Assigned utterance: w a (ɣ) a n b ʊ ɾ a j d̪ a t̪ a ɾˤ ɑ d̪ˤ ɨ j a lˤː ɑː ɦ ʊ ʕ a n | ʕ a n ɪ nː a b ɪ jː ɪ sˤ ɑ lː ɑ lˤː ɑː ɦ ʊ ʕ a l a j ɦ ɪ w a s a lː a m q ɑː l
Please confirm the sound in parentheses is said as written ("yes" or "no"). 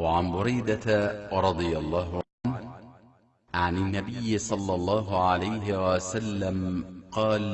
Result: no